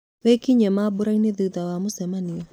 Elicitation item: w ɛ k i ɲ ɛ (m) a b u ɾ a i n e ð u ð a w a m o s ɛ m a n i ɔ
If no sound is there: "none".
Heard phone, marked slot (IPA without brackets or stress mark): m